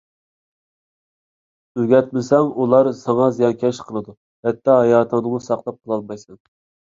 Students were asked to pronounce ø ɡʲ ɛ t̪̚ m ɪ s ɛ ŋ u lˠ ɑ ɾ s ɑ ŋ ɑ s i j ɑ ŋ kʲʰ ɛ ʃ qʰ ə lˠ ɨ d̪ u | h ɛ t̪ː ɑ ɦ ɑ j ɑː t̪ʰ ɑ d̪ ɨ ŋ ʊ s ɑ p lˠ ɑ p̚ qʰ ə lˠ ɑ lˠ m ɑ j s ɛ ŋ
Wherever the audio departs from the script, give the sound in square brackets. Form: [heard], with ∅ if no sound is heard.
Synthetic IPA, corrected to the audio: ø ɡʲ ɛ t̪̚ m ɪ s ɛ ŋ u lˠ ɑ ɾ s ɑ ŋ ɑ [z] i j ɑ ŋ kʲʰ ɛ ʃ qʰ ə lˠ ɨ d̪ u | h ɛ t̪ː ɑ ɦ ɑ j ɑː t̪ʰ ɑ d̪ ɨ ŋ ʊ s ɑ [q] lˠ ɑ p̚ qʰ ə lˠ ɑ lˠ m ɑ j s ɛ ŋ